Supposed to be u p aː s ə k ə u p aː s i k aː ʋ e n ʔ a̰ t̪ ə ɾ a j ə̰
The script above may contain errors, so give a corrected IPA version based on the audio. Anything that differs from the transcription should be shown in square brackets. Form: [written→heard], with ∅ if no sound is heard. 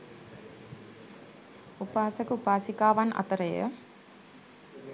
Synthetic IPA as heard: u p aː s ə k ə u p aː s i k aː ʋ [e→a] n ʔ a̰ t̪ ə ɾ [a→ə] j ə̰